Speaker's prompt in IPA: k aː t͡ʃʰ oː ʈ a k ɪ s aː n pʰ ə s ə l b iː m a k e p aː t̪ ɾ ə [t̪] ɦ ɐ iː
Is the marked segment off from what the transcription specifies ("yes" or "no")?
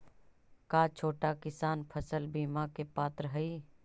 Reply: yes